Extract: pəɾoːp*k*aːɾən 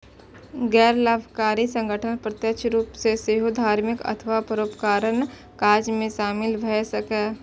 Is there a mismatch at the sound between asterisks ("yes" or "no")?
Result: no